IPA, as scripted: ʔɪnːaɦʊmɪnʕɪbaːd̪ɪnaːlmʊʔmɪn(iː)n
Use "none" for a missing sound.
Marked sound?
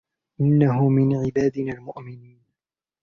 iː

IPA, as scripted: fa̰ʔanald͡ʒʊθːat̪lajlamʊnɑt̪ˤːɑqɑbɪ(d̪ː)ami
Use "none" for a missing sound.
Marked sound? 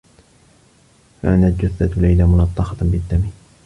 d̪ː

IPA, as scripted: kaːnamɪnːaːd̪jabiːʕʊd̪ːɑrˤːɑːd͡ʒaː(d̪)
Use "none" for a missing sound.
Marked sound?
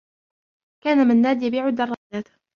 t̪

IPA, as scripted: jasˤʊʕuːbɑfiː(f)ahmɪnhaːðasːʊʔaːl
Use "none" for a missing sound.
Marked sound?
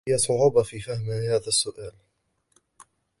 f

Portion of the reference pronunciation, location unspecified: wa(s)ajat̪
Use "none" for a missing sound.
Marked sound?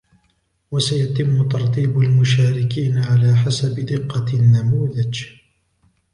s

